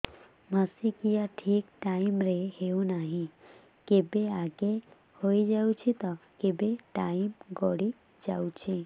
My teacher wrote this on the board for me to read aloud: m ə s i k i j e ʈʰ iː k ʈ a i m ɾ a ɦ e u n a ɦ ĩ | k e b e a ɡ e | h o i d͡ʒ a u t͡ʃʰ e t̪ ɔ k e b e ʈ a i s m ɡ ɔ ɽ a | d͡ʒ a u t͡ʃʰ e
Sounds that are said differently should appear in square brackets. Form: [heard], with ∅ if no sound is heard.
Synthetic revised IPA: m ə s i k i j [a] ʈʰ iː k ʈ a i m ɾ [e] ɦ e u n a ɦ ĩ | k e b e a ɡ e | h o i d͡ʒ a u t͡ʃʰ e t̪ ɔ k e b e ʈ a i [∅] m ɡ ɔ ɽ [i] | d͡ʒ a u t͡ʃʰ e